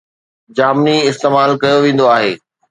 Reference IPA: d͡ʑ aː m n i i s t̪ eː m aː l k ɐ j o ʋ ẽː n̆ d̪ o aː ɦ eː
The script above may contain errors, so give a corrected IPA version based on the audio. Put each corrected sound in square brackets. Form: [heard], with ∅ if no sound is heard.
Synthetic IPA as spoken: d͡ʑ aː m n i [ɪ] s t̪ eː m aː l k ɐ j o ʋ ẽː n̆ d̪ o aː ɦ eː